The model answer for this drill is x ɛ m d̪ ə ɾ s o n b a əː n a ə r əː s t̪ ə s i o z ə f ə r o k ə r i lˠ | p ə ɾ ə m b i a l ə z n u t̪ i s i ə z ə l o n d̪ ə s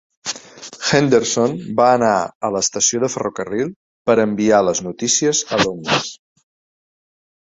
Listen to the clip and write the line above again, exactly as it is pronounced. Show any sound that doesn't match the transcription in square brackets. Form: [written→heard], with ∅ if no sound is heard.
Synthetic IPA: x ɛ [m→n] d̪ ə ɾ s o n b a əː n a ə [r→l] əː s t̪ ə s i o [z→ð] ə f ə r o k ə r i lˠ | p ə ɾ ə m b i a l ə z n u t̪ i s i ə z ə l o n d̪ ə s